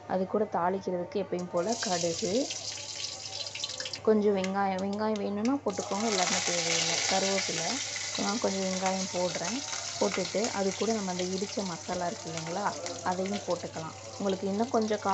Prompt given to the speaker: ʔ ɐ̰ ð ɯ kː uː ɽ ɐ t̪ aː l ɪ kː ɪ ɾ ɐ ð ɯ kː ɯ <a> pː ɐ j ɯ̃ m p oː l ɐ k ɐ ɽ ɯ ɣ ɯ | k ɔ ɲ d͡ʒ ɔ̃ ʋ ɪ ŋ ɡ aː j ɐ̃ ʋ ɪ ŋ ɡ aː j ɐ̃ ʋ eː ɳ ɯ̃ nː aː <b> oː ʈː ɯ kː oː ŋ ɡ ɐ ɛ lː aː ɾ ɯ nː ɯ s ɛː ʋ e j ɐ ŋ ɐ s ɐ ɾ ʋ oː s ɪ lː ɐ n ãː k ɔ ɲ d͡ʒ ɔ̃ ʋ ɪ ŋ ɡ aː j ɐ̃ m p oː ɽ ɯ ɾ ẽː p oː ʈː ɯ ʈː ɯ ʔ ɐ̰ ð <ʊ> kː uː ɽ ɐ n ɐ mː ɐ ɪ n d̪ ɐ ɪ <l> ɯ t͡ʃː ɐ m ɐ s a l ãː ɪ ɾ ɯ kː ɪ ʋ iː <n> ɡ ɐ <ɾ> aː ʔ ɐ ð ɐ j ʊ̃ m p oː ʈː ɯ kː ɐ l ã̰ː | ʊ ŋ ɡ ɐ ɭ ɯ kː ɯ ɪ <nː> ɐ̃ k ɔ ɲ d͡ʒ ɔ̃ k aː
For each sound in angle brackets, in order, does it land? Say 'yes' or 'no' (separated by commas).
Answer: no, no, no, no, no, no, yes